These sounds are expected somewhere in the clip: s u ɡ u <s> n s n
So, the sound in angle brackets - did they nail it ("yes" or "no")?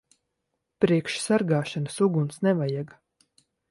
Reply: no